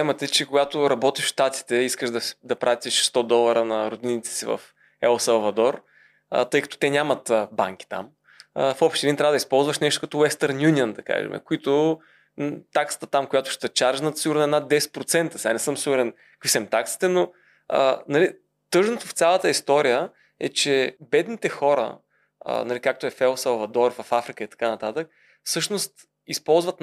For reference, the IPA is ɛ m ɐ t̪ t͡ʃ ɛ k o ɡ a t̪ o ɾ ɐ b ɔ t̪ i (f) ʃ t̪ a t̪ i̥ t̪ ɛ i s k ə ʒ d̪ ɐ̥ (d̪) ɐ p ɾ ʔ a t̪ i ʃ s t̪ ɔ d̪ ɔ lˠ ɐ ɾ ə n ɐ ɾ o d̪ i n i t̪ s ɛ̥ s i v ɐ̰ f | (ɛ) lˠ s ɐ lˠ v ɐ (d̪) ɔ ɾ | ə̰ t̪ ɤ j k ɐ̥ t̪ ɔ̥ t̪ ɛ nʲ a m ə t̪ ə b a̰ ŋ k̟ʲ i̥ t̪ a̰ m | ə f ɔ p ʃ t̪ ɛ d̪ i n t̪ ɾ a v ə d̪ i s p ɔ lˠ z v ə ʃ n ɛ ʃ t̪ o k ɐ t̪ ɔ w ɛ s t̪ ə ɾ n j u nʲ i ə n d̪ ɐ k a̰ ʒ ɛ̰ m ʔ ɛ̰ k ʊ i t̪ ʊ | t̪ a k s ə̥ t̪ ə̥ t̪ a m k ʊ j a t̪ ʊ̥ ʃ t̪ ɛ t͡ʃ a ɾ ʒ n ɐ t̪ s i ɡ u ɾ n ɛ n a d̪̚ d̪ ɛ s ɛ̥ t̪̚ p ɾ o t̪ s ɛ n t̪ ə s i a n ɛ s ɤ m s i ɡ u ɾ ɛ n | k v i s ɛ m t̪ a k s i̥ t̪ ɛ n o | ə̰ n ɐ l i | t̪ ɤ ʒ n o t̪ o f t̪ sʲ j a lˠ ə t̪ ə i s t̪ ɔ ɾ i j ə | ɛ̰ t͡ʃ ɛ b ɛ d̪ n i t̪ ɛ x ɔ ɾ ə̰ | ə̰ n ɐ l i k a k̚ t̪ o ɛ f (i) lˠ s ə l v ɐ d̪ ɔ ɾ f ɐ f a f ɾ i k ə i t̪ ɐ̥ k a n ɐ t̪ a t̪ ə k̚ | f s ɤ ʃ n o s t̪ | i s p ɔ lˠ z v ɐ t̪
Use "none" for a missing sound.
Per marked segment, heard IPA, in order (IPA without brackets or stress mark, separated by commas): ʃ, d̪, ɛ, d̪, ɛ